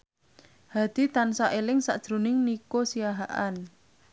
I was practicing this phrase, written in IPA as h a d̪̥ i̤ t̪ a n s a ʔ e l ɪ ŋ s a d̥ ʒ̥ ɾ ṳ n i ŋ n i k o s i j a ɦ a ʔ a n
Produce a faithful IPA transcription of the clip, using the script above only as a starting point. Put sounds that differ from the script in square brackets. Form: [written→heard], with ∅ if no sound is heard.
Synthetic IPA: h a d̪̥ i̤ t̪ a n s a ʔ e l ɪ ŋ s a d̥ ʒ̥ ɾ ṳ n [i→ɪ] ŋ n i k o s i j a ɦ a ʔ a n